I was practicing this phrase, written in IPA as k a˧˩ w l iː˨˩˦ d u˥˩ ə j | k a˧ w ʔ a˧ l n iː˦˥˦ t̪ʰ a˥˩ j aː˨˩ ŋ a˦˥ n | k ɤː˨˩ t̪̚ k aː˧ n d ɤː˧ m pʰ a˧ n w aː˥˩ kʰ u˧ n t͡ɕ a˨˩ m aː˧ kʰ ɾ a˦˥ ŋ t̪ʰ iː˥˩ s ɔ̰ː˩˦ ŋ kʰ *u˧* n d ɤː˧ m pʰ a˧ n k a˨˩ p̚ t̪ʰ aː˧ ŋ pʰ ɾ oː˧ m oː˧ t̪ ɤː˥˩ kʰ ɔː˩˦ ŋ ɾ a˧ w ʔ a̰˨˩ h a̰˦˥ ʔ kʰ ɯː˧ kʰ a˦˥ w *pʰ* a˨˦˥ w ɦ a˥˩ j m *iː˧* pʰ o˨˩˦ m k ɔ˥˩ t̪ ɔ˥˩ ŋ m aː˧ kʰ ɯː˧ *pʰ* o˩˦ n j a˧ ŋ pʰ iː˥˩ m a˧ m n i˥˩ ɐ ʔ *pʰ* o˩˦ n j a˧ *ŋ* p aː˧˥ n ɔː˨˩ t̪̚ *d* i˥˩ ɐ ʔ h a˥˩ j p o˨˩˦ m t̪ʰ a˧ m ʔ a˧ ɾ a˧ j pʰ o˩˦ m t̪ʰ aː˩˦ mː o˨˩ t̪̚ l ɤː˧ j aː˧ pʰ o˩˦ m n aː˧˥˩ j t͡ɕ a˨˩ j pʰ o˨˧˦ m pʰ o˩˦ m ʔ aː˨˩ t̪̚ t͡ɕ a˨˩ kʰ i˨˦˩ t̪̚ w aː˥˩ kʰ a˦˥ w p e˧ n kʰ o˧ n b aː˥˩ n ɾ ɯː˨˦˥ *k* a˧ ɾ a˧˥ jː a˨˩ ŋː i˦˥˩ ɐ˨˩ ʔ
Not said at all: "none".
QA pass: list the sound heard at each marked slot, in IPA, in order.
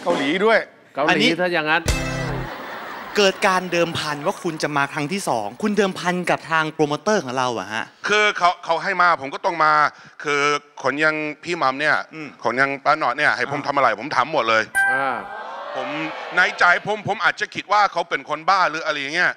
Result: u˧, kʰ, aː˧, kʰ, kʰ, ŋ, n, ʔ

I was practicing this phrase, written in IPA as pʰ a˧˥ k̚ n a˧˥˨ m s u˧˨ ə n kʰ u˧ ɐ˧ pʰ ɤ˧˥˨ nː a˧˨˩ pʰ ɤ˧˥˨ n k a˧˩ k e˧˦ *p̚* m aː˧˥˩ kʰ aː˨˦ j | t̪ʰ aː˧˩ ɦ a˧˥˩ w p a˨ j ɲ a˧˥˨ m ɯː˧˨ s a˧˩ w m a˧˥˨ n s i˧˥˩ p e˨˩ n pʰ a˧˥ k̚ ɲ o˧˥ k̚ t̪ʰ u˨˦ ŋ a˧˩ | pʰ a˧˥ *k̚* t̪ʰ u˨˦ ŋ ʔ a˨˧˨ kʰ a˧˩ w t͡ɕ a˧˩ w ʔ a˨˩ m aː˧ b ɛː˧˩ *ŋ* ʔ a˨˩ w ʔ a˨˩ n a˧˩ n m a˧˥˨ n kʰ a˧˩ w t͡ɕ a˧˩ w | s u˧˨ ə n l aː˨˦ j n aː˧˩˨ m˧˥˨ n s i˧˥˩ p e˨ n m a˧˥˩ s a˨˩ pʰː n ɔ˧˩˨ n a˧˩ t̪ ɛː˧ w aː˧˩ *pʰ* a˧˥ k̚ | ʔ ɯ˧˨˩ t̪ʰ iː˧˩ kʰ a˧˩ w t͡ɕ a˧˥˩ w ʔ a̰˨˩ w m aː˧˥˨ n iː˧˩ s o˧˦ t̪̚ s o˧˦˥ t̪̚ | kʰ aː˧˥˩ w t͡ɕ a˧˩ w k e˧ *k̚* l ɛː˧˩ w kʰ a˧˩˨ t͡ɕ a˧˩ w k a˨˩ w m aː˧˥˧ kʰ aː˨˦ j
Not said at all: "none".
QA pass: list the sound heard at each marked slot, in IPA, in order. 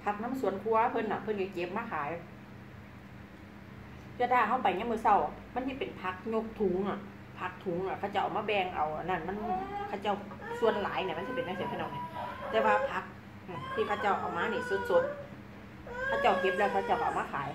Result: p̚, k̚, ŋ, pʰ, p̚

